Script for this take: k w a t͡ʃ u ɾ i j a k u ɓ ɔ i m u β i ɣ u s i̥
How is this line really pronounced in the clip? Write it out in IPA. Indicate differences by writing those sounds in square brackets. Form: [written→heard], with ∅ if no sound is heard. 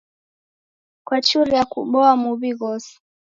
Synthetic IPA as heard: k w a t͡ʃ u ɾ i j a k u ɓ ɔ [i→a] m u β i ɣ [u→ɔ] s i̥